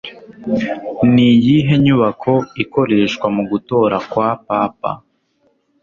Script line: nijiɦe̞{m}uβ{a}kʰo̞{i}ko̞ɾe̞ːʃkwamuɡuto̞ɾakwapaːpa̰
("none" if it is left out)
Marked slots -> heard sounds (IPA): ɲ, a, i

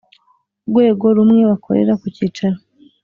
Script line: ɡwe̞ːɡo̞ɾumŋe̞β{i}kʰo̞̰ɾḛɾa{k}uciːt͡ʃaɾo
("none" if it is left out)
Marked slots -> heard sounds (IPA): a, k

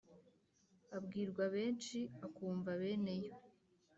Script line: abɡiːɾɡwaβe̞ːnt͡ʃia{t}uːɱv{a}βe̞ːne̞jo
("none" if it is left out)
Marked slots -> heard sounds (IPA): k, a

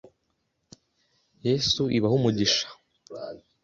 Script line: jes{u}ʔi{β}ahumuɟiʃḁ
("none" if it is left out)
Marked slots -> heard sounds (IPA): u, β

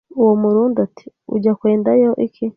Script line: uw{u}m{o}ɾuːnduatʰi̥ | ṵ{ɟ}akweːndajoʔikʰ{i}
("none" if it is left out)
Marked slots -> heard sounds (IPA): o, u, ɟ, i

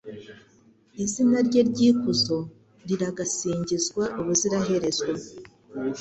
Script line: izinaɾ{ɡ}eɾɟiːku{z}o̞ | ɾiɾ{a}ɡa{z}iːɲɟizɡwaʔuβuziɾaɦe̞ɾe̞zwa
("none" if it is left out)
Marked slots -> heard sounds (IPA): ɟ, z, a, s

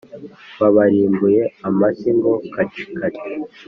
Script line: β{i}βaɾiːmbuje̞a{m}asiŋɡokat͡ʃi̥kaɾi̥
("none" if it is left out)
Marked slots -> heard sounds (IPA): a, m

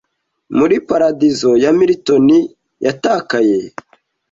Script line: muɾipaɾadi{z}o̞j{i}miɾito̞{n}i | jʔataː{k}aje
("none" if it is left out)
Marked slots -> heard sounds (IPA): z, a, n, k

